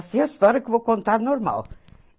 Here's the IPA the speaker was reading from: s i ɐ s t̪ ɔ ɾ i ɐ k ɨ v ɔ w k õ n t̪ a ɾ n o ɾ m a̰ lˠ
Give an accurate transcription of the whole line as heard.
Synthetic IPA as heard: s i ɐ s t̪ ɔ ɾ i ɐ k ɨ v o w k õ n t̪ a ɾ n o ɾ m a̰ lˠ